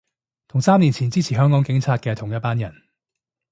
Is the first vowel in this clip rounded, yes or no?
yes